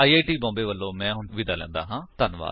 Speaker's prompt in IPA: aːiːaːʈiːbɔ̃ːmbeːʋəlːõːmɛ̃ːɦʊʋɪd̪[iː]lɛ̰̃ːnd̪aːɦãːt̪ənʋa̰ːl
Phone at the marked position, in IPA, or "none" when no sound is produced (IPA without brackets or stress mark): aː